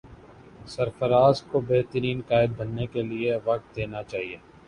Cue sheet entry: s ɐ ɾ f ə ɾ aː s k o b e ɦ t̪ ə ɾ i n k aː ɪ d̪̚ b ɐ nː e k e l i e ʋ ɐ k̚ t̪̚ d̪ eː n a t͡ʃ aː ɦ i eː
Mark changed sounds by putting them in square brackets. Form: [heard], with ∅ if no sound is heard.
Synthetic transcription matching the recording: s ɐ ɾ f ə ɾ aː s k o b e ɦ t̪ ə ɾ [iː] n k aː ɪ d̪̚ b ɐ nː e k e l i e ʋ ɐ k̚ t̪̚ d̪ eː n a t͡ʃ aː ɦ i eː